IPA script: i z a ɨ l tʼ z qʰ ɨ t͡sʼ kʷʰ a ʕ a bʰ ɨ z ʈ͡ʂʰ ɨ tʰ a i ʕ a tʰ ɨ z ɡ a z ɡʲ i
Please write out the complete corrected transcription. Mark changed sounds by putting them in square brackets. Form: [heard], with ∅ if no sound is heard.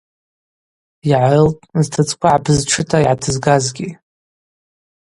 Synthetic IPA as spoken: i [ʕ] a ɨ l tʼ z [tʰ] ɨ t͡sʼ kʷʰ a ʕ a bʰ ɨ z ʈ͡ʂʰ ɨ tʰ a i ʕ a tʰ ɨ z ɡ a z ɡʲ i